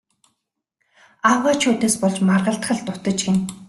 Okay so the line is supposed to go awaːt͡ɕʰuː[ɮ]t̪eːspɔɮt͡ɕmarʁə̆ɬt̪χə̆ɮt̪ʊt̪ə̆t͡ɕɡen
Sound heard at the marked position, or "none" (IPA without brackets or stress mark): none